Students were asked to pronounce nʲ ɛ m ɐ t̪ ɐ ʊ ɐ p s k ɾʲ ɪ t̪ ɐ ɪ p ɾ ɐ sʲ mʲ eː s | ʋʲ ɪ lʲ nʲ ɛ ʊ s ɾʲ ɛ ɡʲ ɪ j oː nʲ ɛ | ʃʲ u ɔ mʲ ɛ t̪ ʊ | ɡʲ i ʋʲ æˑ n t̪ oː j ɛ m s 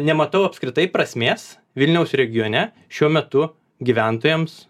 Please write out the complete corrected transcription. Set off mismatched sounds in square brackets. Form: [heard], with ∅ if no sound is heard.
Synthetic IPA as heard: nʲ ɛ m ɐ t̪ ɐ ʊ ɐ p s k ɾʲ ɪ t̪ ɐ ɪ p ɾ ɐ sʲ mʲ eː s | ʋʲ ɪ lʲ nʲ ɛ ʊ s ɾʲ ɛ ɡʲ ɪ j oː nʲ ɛ | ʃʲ u ɔ mʲ ɛ t̪ ʊ | ɡʲ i ʋʲ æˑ n t̪ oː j ɛ m s